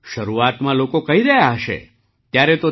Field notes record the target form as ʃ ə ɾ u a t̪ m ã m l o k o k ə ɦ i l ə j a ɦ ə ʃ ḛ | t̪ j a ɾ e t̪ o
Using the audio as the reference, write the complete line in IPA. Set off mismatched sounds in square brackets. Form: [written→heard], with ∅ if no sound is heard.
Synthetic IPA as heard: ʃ ə ɾ u a t̪ m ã [m→∅] l o k o k ə ɦ i [l→ɾ] ə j a ɦ ə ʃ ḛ | t̪ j a ɾ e t̪ o